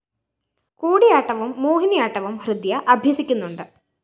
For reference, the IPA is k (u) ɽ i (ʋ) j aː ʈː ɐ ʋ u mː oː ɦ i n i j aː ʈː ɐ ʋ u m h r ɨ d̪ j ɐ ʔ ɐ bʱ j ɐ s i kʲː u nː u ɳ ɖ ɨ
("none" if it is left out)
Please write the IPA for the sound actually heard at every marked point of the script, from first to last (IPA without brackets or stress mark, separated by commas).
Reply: uː, none